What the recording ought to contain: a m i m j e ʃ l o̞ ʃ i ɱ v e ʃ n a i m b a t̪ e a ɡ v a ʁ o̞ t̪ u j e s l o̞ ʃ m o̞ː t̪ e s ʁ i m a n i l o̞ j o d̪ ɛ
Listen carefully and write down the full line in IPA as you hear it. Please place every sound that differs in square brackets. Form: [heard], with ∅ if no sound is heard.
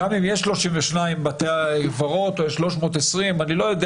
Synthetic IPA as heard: a m i m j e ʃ l o̞ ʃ i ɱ v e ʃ n a i m b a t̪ e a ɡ v a ʁ o̞ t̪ [o] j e [ʃ] l o̞ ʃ m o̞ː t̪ e s ʁ i m a n i l o̞ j o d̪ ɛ